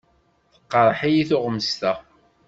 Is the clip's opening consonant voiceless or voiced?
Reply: voiceless